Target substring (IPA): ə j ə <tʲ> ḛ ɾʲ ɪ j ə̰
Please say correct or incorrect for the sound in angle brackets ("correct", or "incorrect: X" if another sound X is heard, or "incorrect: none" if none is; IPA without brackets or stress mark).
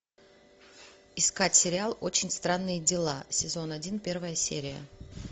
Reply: incorrect: sʲ